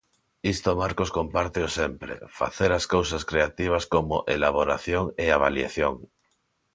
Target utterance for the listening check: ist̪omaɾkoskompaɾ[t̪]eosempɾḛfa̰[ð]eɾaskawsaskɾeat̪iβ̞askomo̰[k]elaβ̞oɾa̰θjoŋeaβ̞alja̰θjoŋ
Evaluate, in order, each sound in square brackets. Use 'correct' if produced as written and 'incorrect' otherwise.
correct, incorrect, incorrect

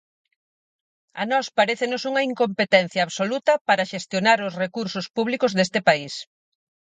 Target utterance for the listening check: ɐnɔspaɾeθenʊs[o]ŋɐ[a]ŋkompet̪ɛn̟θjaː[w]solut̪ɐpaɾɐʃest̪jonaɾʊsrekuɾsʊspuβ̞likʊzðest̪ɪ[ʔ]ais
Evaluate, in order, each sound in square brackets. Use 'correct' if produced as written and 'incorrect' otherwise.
incorrect, incorrect, incorrect, incorrect

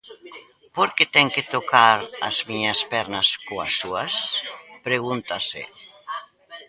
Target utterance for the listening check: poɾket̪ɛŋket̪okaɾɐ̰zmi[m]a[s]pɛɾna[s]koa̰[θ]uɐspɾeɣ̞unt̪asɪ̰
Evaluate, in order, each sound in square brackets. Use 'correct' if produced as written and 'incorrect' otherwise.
incorrect, correct, correct, incorrect

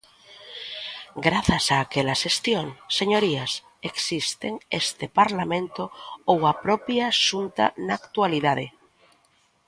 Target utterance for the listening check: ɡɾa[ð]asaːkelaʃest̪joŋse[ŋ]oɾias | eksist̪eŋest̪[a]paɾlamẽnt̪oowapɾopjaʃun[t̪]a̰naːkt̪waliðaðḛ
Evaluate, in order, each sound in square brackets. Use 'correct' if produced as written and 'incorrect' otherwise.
incorrect, incorrect, incorrect, correct

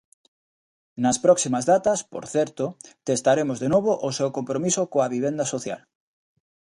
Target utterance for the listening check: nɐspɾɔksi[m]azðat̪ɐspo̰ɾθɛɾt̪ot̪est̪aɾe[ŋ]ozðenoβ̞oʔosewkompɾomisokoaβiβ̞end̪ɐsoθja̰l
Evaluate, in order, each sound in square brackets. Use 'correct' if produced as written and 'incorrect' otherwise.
correct, incorrect

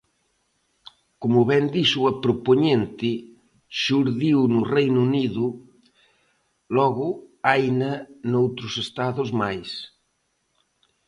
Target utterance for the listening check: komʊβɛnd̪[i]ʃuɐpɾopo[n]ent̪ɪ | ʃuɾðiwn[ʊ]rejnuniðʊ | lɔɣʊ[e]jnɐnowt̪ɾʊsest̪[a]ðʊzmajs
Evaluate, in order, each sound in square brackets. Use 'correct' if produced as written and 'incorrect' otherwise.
correct, incorrect, correct, incorrect, correct

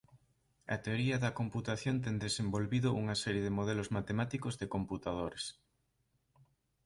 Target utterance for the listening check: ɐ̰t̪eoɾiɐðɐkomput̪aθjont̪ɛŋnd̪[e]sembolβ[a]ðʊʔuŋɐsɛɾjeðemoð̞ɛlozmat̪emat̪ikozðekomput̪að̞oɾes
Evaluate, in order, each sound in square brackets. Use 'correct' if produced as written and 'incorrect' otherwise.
correct, incorrect

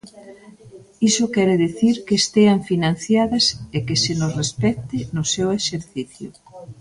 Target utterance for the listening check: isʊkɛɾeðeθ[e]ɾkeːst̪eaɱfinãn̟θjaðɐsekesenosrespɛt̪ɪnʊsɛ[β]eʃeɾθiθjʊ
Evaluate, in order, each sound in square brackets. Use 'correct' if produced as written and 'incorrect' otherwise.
incorrect, incorrect

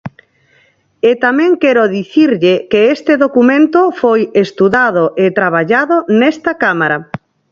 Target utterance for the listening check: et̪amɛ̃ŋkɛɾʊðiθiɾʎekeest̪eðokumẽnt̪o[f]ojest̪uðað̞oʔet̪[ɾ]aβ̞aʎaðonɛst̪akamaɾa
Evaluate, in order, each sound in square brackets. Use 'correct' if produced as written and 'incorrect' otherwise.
correct, correct

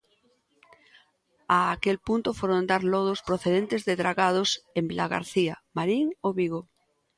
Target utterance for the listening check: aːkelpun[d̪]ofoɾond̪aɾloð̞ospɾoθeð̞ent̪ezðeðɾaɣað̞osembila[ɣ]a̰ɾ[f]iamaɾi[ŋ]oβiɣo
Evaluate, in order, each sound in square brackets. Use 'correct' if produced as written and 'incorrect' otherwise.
incorrect, correct, incorrect, correct

